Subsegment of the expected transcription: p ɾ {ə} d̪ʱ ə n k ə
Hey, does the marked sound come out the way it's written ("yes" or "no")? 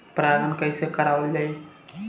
no